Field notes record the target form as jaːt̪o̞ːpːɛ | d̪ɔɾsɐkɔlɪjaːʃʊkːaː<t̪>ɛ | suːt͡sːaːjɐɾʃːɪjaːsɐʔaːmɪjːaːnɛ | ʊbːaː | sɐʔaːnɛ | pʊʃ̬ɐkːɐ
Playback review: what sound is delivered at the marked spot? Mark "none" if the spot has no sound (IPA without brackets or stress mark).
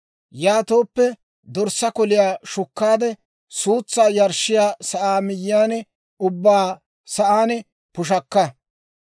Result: d̪